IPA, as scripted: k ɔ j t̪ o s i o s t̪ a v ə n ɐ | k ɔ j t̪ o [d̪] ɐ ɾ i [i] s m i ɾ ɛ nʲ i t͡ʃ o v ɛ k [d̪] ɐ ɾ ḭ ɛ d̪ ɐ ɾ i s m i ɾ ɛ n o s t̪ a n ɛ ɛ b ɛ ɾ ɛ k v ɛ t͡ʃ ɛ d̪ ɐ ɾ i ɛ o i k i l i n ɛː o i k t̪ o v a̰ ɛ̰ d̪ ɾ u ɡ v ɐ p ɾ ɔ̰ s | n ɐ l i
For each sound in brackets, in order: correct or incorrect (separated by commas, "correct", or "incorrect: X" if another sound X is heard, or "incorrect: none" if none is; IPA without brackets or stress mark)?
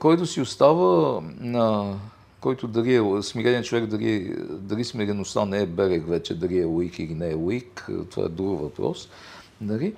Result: correct, incorrect: ɛ, correct